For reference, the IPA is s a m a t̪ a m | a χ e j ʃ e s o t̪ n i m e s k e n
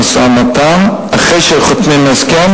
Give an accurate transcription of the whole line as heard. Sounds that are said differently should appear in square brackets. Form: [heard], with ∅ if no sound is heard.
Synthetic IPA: s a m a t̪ a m | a χ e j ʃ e [χ] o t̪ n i m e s k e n